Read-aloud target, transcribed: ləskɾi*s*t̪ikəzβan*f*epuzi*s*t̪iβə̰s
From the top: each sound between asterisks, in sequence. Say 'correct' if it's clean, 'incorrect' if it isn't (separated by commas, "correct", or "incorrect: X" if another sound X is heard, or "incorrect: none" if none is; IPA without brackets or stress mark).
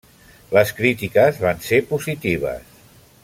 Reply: incorrect: none, incorrect: s, incorrect: none